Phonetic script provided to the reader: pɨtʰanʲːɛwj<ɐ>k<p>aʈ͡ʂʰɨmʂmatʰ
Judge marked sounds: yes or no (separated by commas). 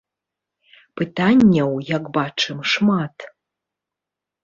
no, no